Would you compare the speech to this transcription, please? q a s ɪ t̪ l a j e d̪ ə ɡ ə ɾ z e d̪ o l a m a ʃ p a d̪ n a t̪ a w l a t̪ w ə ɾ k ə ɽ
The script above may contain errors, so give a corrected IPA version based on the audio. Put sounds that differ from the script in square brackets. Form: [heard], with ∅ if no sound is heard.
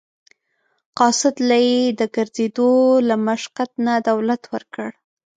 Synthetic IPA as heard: q [ɑ] s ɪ [d̪] l a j e d̪ ə ɡ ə ɾ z e d̪ o l a m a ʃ [q] a [t̪] n a [d̪] a w l a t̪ w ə ɾ k ə ɽ